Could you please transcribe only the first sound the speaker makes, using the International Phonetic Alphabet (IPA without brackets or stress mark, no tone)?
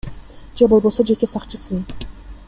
d͡ʒ